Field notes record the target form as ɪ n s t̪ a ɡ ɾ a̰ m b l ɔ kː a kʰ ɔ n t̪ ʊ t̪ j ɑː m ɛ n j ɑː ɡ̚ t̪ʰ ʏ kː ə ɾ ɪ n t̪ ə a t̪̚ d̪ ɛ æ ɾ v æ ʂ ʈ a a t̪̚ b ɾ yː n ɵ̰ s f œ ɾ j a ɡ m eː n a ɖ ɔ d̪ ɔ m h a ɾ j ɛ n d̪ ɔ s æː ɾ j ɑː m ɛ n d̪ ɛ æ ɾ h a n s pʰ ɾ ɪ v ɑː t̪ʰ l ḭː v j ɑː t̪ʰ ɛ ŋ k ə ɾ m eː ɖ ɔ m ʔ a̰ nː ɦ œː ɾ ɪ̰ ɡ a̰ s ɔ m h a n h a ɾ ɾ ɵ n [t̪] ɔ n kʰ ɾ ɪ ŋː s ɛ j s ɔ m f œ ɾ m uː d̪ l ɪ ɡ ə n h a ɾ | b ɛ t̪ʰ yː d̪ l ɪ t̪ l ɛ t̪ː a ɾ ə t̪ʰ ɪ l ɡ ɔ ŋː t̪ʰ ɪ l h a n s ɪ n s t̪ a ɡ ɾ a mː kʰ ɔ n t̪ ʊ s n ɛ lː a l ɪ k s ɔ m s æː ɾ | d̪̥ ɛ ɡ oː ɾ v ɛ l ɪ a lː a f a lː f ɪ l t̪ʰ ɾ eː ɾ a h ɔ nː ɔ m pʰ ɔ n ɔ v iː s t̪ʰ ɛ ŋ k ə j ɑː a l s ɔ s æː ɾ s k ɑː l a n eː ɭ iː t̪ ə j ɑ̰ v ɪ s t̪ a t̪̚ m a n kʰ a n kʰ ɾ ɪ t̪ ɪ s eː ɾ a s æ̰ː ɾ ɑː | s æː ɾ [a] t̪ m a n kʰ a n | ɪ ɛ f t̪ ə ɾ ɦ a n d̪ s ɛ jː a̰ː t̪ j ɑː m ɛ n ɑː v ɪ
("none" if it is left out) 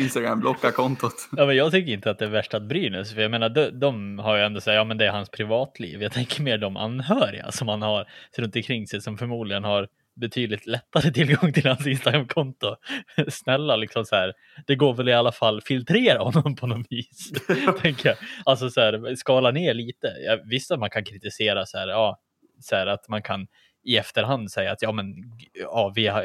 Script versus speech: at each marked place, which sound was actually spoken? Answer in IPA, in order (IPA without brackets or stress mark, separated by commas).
t̪, a